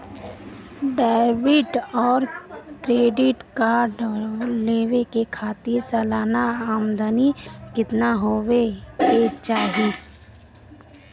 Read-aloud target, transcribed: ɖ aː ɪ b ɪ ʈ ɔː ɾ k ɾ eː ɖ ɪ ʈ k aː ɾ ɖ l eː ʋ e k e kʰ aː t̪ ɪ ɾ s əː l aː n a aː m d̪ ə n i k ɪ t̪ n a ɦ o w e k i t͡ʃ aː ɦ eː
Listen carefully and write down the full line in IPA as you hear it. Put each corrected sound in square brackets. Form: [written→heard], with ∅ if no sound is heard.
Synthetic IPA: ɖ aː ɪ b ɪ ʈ ɔː ɾ k ɾ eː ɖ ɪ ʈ k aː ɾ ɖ l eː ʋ e k e kʰ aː t̪ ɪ ɾ s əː l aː n a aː m d̪ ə n i k ɪ t̪ n a ɦ o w e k [i→e] t͡ʃ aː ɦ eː